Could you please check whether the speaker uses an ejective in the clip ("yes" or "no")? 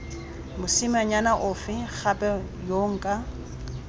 yes